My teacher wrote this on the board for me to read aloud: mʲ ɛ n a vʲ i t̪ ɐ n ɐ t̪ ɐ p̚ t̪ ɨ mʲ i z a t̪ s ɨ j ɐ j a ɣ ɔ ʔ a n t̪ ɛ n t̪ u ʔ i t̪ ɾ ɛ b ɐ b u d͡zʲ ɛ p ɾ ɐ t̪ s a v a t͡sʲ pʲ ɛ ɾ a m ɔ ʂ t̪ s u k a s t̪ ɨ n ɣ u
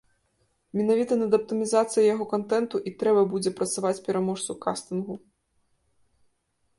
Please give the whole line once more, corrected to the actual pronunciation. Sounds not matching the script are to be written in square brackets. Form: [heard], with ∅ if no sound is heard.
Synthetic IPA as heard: mʲ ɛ n a vʲ i t̪ ɐ n ɐ [d̪] ɐ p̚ t̪ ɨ mʲ i z a t̪ s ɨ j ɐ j a ɣ ɔ [k] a n t̪ ɛ n t̪ u ʔ i t̪ ɾ ɛ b ɐ b u d͡zʲ ɛ p ɾ ɐ t̪ s a v a t͡sʲ pʲ ɛ ɾ a m ɔ ʂ t̪ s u k a s t̪ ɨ n ɣ u